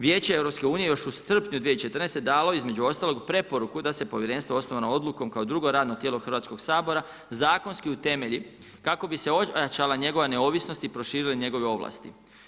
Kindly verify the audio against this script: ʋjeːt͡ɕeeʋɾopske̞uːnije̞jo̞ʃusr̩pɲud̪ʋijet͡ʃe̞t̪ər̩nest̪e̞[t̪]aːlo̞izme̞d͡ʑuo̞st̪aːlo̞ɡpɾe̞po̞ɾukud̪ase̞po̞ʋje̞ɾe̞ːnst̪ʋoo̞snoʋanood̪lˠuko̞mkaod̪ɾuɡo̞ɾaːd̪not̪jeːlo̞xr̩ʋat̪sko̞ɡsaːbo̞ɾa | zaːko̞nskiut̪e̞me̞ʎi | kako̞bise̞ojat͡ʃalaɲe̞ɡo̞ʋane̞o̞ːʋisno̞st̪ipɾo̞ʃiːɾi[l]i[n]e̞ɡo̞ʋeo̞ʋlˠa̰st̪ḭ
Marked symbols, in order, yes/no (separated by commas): no, yes, no